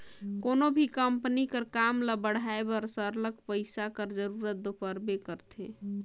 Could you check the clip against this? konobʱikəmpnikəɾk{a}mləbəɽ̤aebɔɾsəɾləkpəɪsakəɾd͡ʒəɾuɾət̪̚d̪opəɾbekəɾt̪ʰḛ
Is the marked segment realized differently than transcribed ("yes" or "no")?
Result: no